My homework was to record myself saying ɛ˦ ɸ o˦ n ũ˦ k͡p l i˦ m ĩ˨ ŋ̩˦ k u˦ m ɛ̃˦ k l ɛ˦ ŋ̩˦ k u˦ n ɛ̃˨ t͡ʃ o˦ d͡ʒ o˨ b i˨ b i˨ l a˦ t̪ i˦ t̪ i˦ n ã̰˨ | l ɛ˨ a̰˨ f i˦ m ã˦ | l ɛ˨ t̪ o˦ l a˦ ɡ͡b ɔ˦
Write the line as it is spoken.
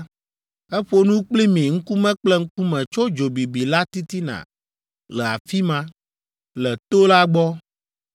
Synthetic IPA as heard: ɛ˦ ɸ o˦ n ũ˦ k͡p l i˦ m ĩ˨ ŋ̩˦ k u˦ m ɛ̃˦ k͡p l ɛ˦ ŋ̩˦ k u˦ m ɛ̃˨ t͡ʃ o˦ d͡ʒ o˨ b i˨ b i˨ l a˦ t̪ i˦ t̪ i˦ n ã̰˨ | l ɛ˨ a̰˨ f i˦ m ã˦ | l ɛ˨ t̪ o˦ l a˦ ɡ͡b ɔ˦